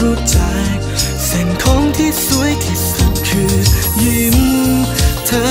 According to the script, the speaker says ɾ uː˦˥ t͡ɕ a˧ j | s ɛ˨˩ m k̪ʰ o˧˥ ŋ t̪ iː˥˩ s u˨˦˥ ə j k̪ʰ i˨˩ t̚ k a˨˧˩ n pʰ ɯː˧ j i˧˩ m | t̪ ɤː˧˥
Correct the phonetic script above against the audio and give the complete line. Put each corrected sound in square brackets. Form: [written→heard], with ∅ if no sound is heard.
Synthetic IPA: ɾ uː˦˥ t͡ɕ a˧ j | s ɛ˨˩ [m→ŋ] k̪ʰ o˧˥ ŋ [t̪→t̪ʰ] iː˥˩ s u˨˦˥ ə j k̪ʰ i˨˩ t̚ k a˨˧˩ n [pʰ→kʰ] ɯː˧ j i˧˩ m | [t̪→t̪ʰ] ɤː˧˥